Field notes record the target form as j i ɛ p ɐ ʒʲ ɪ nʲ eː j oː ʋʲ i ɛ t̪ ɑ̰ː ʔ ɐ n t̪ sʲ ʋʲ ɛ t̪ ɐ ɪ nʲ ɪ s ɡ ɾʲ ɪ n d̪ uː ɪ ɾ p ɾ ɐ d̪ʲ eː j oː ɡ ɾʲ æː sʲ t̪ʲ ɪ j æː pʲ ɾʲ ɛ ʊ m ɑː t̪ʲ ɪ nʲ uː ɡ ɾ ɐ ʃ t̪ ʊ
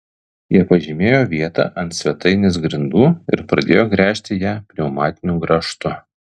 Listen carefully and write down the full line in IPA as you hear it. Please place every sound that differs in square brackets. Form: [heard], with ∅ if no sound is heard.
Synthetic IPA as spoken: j i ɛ p ɐ ʒʲ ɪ [mʲ] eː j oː ʋʲ i ɛ t̪ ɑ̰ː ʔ ɐ n t̪ sʲ ʋʲ ɛ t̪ ɐ ɪ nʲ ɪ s ɡ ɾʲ ɪ n d̪ uː ɪ ɾ p ɾ ɐ d̪ʲ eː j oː ɡ ɾʲ æː [ʃʲ] t̪ʲ ɪ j æː pʲ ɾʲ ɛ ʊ m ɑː t̪ʲ ɪ nʲ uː ɡ ɾ ɐ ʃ t̪ ʊ